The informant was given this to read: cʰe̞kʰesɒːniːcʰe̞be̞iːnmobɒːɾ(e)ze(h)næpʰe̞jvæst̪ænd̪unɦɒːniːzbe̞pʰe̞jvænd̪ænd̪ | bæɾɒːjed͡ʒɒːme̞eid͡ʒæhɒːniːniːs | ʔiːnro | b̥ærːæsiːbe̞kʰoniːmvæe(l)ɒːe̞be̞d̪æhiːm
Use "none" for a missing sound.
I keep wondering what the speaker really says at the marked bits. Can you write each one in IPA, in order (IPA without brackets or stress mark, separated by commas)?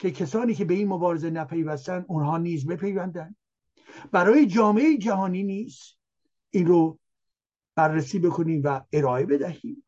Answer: e, none, ɾ